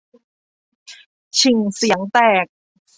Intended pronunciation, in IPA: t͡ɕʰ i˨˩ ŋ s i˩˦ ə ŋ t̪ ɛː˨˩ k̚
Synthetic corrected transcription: t͡ɕʰ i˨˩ ŋ s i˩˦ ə ŋ t̪ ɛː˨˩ k̚